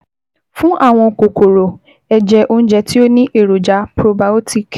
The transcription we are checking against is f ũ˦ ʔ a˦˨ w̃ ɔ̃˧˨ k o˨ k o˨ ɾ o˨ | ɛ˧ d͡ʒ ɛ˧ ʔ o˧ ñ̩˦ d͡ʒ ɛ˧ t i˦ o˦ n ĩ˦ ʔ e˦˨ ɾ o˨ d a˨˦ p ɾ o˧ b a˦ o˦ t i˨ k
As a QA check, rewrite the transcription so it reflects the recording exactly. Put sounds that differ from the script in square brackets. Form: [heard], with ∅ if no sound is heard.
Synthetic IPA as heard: f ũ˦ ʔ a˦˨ w̃ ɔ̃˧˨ k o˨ k o˨ ɾ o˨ | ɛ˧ d͡ʒ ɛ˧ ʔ o˧ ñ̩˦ d͡ʒ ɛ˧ t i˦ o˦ n ĩ˦ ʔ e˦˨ ɾ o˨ [d͡ʒ] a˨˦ p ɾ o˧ b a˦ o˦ t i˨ k